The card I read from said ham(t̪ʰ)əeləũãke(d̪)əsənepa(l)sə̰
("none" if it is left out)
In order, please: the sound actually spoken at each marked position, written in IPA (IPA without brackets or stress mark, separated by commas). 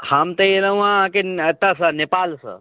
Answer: t̪, t̪, l